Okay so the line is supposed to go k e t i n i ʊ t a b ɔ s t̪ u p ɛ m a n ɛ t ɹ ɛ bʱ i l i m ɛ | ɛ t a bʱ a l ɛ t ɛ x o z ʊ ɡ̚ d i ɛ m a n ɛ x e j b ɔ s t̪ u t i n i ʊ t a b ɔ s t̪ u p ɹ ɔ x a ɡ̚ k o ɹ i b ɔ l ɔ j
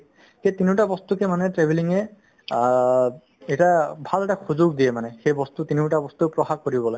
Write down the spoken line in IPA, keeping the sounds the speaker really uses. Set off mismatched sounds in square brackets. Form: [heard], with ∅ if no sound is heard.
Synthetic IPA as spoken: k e t i n i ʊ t a b ɔ s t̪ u [k] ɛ m a n ɛ t ɹ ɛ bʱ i l i [ŋ] ɛ | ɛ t a bʱ a l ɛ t [a] x [u] z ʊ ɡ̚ d i ɛ m a n ɛ x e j b ɔ s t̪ u t i n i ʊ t a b ɔ s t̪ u p ɹ ɔ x a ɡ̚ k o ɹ i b ɔ l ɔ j